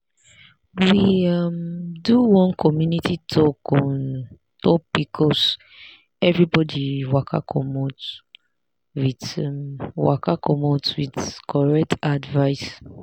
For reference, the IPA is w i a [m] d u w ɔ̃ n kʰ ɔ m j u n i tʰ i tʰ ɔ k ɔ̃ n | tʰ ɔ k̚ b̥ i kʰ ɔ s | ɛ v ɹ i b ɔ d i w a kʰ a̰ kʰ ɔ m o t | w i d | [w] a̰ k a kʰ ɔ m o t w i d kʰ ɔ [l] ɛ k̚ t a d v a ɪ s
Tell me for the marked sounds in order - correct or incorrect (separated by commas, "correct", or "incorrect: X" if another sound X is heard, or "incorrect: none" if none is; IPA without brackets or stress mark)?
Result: correct, correct, incorrect: ɹ